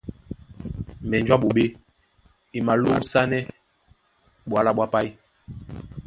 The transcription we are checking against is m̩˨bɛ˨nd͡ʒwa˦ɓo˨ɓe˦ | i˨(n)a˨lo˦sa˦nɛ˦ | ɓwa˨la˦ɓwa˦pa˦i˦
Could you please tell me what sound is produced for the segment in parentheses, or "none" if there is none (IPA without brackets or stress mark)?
m